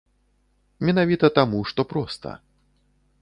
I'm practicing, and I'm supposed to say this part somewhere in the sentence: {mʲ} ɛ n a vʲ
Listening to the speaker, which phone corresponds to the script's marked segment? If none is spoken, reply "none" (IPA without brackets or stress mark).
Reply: mʲ